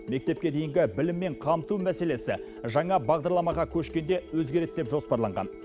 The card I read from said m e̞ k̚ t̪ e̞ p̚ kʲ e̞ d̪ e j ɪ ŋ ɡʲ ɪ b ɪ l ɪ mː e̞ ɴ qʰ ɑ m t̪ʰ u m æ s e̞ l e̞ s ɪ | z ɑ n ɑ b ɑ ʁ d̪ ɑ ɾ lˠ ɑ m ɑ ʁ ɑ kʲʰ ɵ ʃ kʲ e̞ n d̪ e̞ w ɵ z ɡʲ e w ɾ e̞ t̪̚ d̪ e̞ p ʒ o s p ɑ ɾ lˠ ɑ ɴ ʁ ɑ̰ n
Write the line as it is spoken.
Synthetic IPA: m e̞ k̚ t̪ e̞ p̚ kʲ e̞ d̪ e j ɪ ŋ ɡʲ ɪ b ɪ l ɪ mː e̞ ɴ qʰ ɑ m t̪ u m æ s e̞ l e̞ s ɪ | ʒ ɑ ɴ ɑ b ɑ ʁ d̪ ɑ ɾ lˠ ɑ m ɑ ʁ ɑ kʲʰ ɵ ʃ kʲ e̞ n d̪ e̞ w ɵ z ɡʲ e ɾ e̞ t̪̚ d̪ e̞ p ʒ o s p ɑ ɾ lˠ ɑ ɴ ʁ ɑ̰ n